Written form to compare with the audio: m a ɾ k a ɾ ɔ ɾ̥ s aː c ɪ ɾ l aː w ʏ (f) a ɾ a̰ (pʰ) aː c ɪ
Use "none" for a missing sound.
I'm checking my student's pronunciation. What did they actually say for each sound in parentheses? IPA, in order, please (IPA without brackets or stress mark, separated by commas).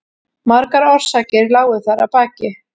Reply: θ, p